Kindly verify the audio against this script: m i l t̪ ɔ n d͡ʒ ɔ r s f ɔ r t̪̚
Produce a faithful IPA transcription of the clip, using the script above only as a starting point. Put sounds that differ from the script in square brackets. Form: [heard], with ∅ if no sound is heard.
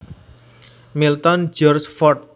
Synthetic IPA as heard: m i l t̪ ɔ n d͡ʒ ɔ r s f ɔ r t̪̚

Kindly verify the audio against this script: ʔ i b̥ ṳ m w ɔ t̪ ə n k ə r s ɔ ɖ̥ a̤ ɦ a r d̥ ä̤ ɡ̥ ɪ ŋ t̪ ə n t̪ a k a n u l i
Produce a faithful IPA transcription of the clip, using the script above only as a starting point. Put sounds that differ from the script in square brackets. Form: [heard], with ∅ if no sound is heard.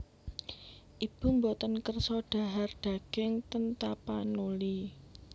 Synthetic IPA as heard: ʔ i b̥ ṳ m [b] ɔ t̪ ə n k ə r s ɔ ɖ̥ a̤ ɦ a r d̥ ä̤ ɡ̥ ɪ ŋ t̪ ə n t̪ a [p] a n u l i

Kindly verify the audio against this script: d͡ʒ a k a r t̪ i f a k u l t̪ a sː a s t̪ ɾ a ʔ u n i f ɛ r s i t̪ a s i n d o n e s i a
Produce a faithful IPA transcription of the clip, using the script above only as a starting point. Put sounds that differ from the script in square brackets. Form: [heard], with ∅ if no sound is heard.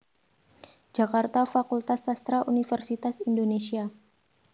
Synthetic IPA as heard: d͡ʒ a k a r t̪ [a] f a k u l t̪ a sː a s t̪ ɾ a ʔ u n i f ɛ r s i t̪ a s i n d o n e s i a

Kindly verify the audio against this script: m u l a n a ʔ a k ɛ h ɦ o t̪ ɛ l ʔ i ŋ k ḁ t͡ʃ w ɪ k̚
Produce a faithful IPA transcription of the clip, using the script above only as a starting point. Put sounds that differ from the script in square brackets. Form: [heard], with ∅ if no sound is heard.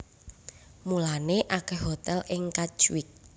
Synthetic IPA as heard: m u l a n [e] ʔ a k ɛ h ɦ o t̪ ɛ l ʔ [ɪ] ŋ k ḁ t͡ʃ w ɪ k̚

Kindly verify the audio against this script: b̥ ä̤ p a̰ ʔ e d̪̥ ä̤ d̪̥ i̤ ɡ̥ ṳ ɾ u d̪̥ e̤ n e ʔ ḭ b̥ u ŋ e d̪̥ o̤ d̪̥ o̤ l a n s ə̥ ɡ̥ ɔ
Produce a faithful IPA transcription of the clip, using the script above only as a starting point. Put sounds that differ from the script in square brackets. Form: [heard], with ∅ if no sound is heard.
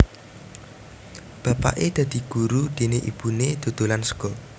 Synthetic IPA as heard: b̥ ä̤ p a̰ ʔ e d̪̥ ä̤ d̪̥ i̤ ɡ̥ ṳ ɾ u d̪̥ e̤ n e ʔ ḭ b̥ u [n] e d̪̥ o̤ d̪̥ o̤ l a n s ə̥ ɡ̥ ɔ

